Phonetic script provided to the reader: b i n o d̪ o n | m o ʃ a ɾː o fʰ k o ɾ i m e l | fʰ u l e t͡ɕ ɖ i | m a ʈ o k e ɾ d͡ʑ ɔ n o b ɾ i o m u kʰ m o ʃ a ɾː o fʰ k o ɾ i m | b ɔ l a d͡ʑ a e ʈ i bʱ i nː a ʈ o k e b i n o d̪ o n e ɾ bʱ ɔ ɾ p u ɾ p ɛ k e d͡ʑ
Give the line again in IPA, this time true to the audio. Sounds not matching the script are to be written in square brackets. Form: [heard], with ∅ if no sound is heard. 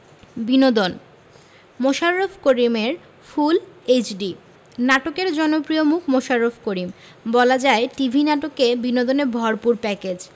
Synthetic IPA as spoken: b i n o d̪ o n | m o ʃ a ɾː o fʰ k o ɾ i m e [ɾ] | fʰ u l e t͡ɕ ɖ i | [n] a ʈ o k e ɾ d͡ʑ ɔ n o [p] ɾ i o m u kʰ m o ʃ a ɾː o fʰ k o ɾ i m | b ɔ l a d͡ʑ a e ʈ i bʱ i [n] a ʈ o k e b i n o d̪ o n e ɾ bʱ ɔ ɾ p u ɾ p ɛ k e d͡ʑ